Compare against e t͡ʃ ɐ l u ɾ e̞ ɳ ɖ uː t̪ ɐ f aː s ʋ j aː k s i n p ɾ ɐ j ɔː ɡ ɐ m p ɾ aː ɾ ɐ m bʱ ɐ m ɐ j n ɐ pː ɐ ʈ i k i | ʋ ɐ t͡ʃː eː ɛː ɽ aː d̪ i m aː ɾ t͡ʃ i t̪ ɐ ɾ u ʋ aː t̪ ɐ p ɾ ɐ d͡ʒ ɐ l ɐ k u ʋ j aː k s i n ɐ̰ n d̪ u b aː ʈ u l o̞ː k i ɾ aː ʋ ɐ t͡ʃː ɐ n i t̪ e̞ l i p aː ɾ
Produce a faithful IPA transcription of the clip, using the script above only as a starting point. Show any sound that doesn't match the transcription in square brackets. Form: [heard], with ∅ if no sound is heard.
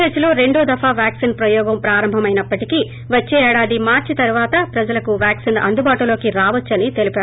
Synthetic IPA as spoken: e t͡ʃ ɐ l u ɾ e̞ ɳ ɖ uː [d̪] ɐ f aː [∅] ʋ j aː k s i n p ɾ ɐ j ɔː ɡ ɐ m p ɾ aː ɾ ɐ m bʱ ɐ m ɐ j n ɐ pː ɐ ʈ i k i | ʋ ɐ t͡ʃː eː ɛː ɽ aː d̪ i m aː ɾ t͡ʃ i t̪ ɐ ɾ u ʋ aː t̪ ɐ p ɾ ɐ d͡ʒ ɐ l ɐ k u ʋ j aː k s i n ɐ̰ n d̪ u b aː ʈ u l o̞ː k i ɾ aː ʋ ɐ t͡ʃː ɐ n i t̪ e̞ l i p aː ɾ